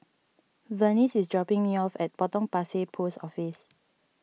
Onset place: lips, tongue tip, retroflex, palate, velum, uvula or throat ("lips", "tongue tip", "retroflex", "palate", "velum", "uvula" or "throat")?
lips